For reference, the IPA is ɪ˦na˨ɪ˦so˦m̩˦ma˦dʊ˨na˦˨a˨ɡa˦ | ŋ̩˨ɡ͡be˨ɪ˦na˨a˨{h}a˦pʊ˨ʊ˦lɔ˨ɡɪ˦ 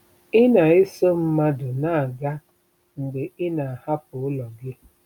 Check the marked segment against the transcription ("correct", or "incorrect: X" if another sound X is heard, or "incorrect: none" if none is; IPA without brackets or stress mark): correct